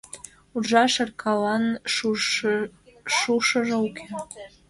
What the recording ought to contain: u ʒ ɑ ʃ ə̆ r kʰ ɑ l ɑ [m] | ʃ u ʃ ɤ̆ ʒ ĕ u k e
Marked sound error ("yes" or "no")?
yes